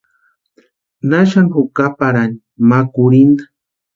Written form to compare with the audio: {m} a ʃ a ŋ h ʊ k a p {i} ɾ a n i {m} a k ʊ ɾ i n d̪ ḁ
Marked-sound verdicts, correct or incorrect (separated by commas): incorrect, incorrect, correct